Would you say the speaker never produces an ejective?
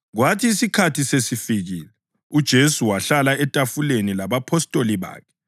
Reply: no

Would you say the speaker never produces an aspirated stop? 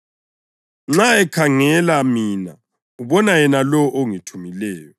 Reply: no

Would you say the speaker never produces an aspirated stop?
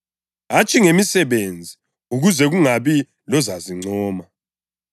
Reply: yes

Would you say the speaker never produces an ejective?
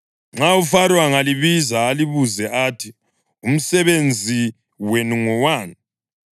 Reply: yes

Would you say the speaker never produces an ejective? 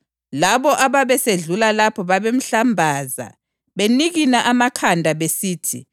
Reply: yes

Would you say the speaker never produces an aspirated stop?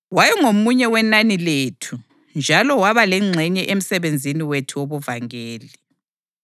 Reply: no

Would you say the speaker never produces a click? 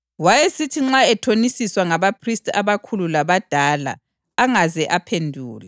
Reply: no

